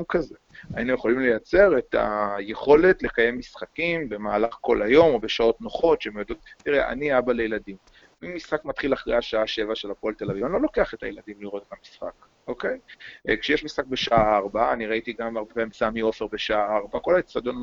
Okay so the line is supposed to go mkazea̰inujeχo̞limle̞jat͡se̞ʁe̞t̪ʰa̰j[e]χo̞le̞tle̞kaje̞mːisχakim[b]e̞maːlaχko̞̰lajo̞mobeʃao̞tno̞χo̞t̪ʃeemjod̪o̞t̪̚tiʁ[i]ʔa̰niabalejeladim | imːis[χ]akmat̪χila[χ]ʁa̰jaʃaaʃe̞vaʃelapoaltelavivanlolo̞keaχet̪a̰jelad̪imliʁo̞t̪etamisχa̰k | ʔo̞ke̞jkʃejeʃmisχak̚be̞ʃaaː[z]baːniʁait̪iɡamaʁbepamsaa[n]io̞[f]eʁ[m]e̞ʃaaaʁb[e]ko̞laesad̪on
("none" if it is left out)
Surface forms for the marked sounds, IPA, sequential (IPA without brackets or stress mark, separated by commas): e, b, e, χ, χ, ʁ, m, f, b, a